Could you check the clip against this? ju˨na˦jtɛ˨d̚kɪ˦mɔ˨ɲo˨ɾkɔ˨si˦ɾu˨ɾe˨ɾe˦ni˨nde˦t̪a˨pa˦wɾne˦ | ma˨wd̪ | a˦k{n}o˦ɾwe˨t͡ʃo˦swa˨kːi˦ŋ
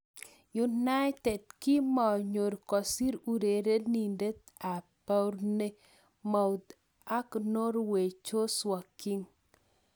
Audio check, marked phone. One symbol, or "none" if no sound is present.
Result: n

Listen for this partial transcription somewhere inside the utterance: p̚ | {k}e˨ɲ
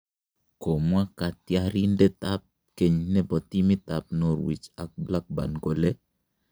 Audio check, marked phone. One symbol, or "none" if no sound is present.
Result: k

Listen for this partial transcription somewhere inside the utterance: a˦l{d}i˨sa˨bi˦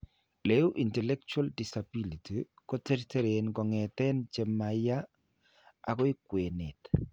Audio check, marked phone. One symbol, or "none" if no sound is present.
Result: d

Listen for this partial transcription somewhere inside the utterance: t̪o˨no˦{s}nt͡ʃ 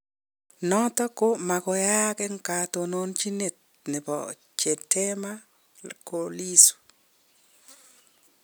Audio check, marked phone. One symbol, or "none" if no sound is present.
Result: none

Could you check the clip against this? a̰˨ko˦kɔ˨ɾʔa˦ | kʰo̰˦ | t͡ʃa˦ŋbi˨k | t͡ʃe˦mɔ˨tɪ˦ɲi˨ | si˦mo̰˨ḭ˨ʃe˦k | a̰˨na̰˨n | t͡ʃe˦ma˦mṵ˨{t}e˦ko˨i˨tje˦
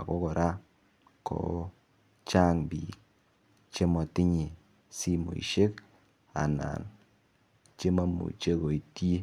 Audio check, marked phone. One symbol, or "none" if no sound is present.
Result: t͡ʃ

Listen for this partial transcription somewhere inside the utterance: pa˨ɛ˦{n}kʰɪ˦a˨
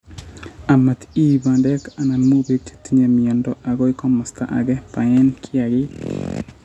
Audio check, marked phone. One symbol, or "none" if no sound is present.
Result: n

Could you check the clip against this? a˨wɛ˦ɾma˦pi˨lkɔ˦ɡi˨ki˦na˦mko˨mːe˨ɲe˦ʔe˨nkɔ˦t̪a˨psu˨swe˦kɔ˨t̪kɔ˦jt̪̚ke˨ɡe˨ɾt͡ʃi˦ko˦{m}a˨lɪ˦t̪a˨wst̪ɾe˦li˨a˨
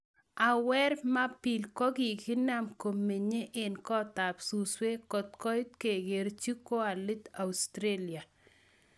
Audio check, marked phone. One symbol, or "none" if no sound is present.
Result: none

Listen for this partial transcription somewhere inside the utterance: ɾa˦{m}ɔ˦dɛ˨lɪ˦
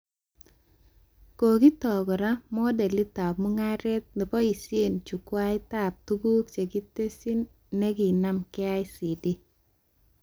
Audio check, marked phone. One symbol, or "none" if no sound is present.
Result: m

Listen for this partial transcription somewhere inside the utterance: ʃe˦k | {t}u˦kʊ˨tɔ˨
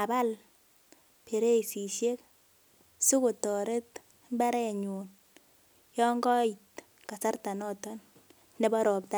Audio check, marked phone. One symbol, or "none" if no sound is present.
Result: s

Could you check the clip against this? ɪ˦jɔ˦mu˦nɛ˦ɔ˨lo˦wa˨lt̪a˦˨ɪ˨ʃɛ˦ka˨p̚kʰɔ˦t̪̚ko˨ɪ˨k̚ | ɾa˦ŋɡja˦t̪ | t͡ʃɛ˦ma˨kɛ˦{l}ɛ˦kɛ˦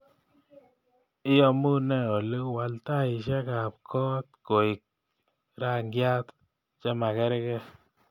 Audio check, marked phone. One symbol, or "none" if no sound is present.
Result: ɾ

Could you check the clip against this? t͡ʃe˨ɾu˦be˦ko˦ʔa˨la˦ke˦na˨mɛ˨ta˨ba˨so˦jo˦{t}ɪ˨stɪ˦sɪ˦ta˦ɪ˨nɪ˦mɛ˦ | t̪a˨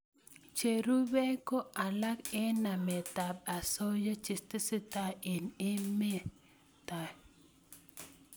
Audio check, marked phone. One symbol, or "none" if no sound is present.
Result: t͡ʃ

